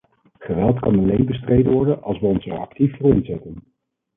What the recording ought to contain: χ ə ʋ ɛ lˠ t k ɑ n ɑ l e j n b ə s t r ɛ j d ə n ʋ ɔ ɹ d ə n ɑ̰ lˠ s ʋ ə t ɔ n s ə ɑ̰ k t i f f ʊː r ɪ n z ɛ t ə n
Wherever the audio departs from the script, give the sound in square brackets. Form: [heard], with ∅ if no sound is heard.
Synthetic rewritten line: χ ə ʋ ɛ lˠ t k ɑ n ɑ l e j n b ə s t r [e] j d ə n ʋ ɔ ɹ d ə n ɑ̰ lˠ s ʋ ə [∅] ɔ n s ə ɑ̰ k t i f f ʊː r ɪ n z ɛ t ə n